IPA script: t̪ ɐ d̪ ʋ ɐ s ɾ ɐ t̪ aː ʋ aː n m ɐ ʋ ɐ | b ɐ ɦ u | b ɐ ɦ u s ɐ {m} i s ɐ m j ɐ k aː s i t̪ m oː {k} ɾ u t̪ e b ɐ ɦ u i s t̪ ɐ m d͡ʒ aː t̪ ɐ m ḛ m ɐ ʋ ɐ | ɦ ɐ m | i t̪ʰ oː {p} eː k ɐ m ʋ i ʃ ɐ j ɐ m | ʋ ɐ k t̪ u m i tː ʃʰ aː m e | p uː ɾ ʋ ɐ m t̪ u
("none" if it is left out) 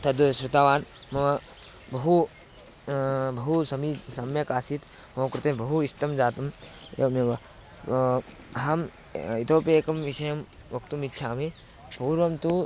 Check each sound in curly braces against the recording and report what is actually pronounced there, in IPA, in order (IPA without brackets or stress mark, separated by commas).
m, k, p